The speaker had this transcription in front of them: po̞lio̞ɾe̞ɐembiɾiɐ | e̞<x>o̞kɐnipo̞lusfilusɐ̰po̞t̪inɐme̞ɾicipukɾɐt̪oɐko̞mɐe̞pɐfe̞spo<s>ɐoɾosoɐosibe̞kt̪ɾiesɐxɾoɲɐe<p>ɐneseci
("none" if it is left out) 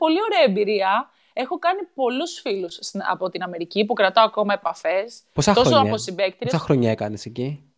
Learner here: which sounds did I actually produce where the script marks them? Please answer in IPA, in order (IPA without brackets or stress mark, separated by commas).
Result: x, s, k